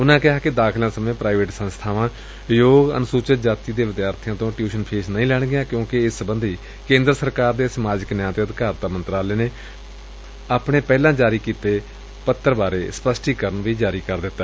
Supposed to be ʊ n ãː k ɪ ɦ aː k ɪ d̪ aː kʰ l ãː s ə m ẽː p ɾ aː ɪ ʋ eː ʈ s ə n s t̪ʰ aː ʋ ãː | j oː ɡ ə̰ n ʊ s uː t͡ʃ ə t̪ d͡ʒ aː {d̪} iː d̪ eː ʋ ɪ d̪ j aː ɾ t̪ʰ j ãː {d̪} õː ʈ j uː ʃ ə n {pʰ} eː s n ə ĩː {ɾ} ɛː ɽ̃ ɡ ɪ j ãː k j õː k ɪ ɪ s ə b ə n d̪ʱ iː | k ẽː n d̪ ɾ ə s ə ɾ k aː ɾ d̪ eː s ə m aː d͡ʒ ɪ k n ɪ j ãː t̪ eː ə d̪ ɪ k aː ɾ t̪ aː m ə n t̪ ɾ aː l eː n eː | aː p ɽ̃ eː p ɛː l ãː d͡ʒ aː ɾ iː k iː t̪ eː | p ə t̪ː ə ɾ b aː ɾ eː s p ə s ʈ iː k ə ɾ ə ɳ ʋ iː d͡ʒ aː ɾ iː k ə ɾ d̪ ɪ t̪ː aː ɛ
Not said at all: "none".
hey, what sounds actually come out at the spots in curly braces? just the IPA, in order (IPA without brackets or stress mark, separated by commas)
t̪, t̪, pʰ, l